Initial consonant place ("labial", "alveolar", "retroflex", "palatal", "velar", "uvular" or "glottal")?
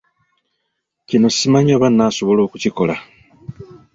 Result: palatal